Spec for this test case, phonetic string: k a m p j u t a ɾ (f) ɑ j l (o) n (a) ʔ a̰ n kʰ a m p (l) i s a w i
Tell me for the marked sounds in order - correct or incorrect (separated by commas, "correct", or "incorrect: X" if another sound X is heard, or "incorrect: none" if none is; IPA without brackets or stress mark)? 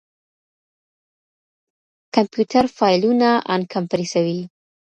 correct, incorrect: u, correct, incorrect: ɾ